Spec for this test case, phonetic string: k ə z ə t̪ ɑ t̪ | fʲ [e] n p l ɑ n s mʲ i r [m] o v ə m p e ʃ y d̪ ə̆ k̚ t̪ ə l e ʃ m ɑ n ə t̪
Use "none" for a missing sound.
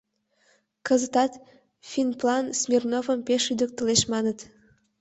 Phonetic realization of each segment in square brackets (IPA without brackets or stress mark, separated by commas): i, n